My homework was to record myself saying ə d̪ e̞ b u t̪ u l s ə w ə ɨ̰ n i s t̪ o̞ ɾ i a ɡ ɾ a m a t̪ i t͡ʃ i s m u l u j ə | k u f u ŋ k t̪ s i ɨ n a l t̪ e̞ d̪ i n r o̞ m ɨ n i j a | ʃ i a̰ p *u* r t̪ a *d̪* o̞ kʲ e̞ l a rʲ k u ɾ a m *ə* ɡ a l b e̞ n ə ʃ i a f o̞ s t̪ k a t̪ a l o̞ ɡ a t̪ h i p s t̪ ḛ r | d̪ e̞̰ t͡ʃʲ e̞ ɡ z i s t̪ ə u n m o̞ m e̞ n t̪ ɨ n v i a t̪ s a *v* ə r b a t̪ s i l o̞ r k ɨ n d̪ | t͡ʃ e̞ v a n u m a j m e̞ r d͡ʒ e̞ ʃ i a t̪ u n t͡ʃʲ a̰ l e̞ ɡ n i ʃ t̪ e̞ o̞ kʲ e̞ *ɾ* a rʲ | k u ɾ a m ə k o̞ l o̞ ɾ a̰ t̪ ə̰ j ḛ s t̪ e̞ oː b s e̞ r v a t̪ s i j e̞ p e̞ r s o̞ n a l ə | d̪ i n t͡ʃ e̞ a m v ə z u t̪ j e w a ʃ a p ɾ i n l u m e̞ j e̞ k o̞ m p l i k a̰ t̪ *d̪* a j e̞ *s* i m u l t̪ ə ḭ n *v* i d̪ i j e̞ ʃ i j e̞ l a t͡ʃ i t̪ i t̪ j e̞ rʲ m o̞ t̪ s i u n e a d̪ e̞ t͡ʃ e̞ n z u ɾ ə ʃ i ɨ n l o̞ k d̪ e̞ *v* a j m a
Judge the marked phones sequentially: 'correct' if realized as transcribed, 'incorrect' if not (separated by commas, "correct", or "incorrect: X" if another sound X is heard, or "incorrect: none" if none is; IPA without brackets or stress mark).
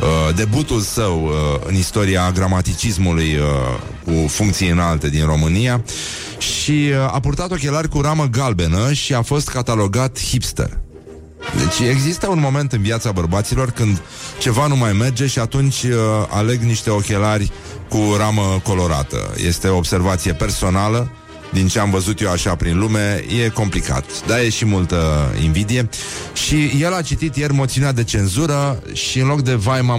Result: correct, incorrect: t̪, correct, incorrect: b, incorrect: l, correct, incorrect: ʃ, correct, correct